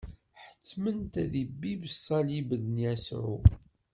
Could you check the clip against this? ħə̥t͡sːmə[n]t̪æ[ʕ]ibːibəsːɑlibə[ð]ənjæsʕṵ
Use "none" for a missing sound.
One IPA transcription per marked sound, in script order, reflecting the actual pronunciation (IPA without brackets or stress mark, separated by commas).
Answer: n, ð, ð